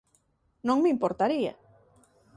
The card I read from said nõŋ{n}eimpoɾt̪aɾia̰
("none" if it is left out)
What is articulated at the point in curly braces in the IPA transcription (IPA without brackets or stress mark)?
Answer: m